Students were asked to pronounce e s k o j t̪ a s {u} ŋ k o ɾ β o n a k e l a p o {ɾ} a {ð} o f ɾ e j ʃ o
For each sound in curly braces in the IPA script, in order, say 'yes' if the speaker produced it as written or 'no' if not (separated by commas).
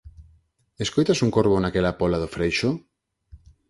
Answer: yes, no, yes